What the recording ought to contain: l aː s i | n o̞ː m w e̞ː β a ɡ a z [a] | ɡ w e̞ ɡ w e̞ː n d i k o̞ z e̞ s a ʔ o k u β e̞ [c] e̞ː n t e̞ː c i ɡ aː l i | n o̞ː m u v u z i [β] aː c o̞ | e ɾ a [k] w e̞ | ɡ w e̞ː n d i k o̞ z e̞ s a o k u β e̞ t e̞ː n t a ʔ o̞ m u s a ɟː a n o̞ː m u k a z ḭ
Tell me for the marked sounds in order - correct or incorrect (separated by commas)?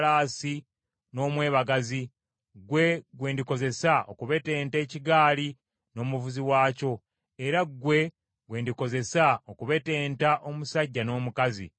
incorrect, incorrect, incorrect, incorrect